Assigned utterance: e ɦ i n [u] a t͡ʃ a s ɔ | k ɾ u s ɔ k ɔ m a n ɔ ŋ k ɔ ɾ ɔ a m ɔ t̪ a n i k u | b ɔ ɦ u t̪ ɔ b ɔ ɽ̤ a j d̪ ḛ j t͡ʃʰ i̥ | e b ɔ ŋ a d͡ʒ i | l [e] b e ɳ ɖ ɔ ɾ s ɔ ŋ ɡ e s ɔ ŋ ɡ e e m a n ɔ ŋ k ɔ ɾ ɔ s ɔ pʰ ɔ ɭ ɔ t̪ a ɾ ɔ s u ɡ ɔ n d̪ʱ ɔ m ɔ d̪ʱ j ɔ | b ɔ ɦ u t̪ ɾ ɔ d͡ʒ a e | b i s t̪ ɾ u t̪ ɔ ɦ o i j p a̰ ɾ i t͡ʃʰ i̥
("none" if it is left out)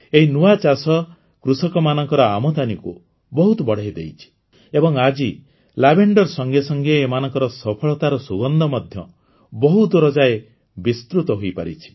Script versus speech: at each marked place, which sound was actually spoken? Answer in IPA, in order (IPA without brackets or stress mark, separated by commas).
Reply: u, a